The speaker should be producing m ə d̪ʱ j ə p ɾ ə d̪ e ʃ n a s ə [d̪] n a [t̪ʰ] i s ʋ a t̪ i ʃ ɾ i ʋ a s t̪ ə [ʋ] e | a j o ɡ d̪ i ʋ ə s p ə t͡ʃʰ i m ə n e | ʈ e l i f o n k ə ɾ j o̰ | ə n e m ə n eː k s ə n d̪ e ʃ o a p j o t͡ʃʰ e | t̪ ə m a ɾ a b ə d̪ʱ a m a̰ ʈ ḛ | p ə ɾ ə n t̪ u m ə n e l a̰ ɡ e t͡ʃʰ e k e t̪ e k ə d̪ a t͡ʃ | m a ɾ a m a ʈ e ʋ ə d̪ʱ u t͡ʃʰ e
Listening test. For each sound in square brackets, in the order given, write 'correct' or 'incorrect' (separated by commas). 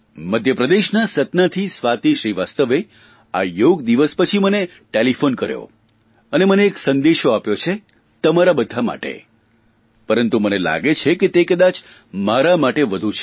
incorrect, correct, correct